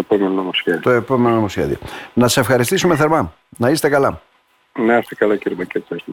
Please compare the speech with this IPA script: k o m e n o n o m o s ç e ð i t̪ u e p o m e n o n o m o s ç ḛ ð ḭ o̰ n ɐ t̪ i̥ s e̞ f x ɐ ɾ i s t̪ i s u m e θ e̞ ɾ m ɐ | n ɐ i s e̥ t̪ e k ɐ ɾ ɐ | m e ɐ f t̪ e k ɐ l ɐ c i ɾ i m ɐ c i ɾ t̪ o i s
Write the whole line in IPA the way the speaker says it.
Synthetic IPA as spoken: p o m e n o n o m o s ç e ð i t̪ o e p o m e n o n o m o s ç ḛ ð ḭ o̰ n ɐ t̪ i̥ s e̞ f x ɐ ɾ i s t̪ i s u m e θ e̞ ɾ m ɐ | n ɐ i s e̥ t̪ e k ɐ l ɐ | n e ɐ s t̪ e k ɐ l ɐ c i ɾ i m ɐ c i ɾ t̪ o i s